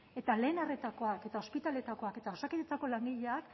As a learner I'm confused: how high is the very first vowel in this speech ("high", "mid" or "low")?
mid